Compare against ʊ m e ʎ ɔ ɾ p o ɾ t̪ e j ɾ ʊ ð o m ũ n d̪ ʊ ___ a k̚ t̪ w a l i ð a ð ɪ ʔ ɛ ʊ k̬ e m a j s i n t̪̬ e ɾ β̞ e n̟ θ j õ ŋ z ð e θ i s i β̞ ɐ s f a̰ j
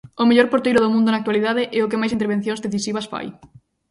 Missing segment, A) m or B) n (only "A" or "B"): B